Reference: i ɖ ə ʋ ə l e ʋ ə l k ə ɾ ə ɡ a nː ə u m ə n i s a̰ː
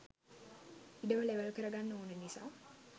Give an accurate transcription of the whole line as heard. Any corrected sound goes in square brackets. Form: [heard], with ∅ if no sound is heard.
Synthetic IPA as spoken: i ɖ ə ʋ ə l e ʋ ə l k ə ɾ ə ɡ a nː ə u [n] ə n i s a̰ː